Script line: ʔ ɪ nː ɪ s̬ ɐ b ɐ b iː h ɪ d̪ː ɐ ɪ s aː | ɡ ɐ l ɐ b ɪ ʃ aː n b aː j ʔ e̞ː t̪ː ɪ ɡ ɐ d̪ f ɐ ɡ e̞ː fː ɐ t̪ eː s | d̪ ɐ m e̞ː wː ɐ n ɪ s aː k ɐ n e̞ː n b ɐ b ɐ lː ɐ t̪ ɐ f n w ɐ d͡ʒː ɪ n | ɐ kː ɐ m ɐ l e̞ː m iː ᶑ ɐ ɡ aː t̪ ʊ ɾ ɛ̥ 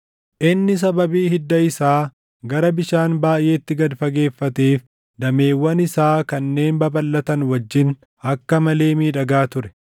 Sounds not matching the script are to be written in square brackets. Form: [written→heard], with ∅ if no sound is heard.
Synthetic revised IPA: ʔ ɪ nː ɪ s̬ ɐ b ɐ b iː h ɪ d̪ː ɐ ɪ s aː | ɡ ɐ [l→ɾ] ɐ b ɪ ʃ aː n b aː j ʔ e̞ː t̪ː ɪ ɡ ɐ d̪ f ɐ ɡ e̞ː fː ɐ t̪ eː [s→f] | d̪ ɐ m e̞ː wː ɐ n ɪ s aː k ɐ [n→nː] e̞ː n b ɐ b ɐ lː ɐ t̪ ɐ [f→∅] n w ɐ d͡ʒː ɪ n | ɐ kː ɐ m ɐ l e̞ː m iː ᶑ ɐ ɡ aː t̪ ʊ ɾ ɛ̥